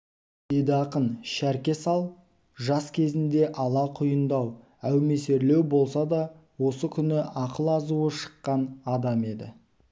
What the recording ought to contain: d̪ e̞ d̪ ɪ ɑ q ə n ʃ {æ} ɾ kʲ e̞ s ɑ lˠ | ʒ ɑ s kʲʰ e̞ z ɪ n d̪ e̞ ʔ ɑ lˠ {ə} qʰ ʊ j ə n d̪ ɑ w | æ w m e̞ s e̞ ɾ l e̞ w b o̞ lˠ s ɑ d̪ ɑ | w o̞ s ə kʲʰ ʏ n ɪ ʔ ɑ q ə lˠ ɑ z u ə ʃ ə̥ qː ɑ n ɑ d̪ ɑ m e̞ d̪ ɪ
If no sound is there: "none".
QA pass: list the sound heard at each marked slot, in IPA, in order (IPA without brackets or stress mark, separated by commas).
æ, ɑ